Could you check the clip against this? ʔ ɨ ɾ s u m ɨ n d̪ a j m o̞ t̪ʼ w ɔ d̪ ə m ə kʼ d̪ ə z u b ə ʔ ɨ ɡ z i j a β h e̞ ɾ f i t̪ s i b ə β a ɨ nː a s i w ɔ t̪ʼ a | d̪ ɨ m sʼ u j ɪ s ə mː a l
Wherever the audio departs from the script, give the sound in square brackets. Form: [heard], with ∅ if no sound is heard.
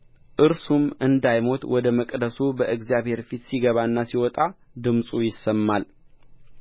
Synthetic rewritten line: ʔ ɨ ɾ s u m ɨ n d̪ a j m o̞ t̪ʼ w ɔ d̪ ə m ə kʼ d̪ ə [s] u b ə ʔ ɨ ɡ z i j a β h e̞ ɾ f i t̪ s i [ɡ] ə β a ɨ nː a s i w ɔ t̪ʼ a | d̪ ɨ m sʼ u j ɪ s ə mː a l